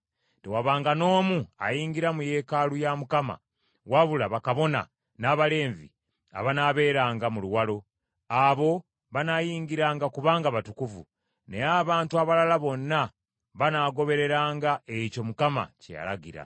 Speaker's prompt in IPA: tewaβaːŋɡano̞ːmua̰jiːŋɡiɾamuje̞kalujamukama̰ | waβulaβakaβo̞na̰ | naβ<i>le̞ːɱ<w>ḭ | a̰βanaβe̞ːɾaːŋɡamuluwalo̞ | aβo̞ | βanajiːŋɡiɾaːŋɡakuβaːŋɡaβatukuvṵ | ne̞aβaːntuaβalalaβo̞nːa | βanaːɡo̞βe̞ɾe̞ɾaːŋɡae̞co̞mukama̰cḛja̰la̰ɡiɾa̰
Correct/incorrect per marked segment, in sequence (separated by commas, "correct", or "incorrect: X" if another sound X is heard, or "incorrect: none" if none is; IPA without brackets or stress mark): incorrect: a, incorrect: v